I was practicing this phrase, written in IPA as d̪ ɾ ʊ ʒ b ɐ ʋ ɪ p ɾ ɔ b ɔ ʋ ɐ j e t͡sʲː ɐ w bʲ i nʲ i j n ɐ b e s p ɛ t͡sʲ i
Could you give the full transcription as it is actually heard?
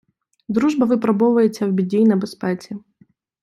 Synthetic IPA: d̪ ɾ u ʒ b ɐ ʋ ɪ p ɾ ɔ b ɔ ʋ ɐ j e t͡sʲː ɐ w bʲ i dʲ i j n ɐ b e s p ɛ t͡sʲ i